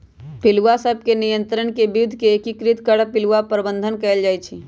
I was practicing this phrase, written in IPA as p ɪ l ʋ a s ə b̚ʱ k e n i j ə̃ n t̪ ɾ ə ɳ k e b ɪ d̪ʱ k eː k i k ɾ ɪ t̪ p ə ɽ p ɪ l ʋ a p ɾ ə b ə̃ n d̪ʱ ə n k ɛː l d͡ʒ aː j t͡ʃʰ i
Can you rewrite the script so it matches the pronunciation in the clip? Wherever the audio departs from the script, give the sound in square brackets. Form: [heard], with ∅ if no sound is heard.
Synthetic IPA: p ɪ l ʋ a s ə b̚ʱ k e n i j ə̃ n t̪ ɾ ə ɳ k e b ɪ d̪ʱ k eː k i k ɾ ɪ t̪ [k] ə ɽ p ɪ l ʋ a p ɾ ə b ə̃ n d̪ʱ ə n k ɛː l d͡ʒ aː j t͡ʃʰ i